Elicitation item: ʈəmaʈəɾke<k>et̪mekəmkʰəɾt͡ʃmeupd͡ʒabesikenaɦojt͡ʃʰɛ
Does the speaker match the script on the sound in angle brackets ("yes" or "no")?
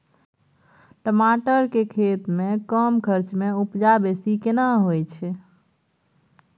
no